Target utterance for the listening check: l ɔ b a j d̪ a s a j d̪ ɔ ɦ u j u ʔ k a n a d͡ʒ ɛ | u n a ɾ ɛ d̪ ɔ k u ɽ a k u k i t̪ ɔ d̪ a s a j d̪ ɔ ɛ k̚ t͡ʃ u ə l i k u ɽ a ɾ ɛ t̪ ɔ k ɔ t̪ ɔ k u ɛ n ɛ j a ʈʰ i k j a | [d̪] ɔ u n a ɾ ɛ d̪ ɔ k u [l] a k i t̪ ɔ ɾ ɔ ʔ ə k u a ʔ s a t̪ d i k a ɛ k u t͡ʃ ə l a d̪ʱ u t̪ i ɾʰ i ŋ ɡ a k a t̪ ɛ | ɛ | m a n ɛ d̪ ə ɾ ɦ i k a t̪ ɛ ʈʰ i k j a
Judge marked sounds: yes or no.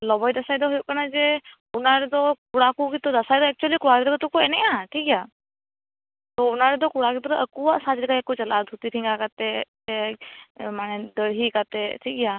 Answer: no, no

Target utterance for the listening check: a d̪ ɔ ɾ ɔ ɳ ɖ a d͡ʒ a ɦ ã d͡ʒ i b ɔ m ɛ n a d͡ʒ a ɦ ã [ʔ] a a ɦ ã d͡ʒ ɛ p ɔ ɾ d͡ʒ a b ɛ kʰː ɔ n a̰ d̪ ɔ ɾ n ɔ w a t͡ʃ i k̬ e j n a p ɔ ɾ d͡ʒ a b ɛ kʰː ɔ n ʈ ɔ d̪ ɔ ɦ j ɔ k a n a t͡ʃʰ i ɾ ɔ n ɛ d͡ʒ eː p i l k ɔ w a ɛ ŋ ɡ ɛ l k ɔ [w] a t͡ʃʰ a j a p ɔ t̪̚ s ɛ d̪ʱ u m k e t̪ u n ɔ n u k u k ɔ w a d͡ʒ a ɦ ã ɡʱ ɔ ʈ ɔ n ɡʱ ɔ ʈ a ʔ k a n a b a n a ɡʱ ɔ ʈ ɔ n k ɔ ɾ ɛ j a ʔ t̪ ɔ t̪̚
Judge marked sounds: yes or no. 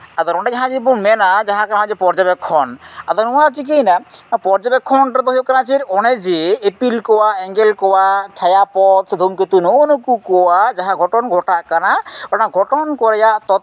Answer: no, yes

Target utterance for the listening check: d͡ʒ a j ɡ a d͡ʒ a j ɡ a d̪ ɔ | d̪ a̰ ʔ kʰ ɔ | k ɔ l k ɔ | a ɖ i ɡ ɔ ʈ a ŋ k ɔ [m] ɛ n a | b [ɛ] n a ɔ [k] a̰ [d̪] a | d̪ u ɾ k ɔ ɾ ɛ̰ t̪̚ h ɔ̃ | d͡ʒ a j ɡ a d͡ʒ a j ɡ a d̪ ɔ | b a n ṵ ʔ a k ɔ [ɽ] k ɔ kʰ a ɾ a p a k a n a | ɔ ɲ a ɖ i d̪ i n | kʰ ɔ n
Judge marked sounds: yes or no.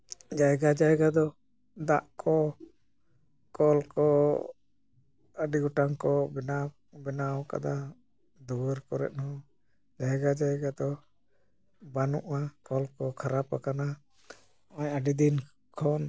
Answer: no, yes, yes, yes, no

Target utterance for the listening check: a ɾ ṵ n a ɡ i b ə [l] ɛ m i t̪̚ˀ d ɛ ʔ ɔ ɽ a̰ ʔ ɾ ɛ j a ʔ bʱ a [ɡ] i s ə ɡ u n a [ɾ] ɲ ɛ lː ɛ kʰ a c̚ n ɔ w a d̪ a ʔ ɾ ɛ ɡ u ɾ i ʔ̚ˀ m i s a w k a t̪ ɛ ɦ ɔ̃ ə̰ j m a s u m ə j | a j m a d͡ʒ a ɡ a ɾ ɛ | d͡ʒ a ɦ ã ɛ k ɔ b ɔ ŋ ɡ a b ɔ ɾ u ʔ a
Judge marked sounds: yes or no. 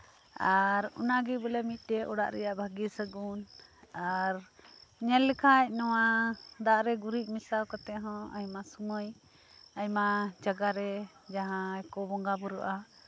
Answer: yes, yes, yes

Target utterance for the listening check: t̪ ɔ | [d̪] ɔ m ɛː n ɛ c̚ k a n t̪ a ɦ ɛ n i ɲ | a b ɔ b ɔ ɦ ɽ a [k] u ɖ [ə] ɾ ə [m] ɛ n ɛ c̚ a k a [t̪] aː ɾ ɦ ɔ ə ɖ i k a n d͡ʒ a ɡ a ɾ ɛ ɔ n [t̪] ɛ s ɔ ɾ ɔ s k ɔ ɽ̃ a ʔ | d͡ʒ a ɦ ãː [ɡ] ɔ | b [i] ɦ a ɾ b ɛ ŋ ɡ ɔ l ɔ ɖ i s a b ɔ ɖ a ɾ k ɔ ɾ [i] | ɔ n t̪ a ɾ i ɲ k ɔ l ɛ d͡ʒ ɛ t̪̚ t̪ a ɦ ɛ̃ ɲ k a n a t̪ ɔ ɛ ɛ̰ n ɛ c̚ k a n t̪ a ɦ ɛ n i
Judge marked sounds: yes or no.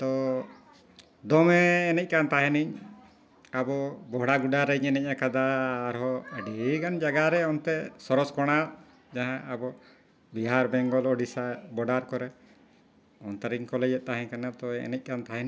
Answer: yes, no, no, no, no, yes, no, yes, no

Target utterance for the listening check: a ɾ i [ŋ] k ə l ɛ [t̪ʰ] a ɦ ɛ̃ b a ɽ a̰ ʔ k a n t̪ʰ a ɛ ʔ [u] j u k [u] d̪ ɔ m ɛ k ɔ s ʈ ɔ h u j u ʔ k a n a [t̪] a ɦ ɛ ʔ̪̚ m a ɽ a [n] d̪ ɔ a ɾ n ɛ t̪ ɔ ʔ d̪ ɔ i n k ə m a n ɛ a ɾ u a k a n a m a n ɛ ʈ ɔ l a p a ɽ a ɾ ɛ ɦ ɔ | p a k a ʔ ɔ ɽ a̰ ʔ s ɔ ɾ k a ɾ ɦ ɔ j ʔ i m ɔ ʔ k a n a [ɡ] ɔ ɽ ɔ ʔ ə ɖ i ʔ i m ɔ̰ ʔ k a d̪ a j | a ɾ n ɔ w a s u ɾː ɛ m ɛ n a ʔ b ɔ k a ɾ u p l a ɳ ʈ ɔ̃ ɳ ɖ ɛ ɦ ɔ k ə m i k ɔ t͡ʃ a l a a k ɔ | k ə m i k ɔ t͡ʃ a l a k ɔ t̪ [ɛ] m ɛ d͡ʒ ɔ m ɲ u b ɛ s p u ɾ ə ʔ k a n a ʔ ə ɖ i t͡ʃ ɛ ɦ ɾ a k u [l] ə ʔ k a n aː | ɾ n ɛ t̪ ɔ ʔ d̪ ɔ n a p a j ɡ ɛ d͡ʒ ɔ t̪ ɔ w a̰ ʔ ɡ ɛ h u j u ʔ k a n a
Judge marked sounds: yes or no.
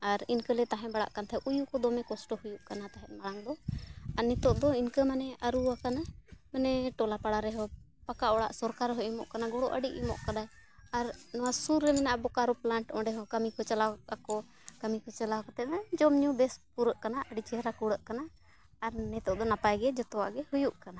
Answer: no, no, yes, no, yes, no, yes, yes, no

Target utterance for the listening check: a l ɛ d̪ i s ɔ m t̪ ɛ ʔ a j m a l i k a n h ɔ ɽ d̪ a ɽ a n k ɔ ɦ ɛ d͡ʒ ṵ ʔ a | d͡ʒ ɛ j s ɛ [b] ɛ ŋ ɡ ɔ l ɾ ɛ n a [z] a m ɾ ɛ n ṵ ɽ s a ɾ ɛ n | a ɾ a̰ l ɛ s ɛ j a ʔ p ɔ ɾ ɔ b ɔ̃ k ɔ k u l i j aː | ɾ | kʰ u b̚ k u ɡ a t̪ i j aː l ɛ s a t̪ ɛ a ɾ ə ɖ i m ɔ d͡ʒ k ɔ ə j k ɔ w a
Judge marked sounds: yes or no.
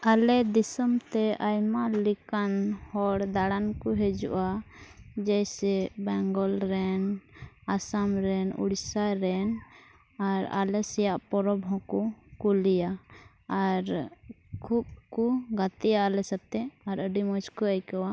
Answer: yes, no

